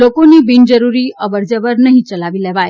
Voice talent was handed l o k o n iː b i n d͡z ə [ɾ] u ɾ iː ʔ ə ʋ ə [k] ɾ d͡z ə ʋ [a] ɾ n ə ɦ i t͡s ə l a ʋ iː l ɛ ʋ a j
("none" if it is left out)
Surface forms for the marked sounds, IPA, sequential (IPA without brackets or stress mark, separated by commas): ɾ, none, ə